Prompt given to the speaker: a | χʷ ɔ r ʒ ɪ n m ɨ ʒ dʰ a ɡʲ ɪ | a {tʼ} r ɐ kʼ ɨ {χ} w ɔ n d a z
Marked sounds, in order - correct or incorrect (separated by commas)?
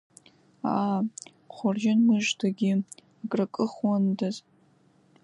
incorrect, correct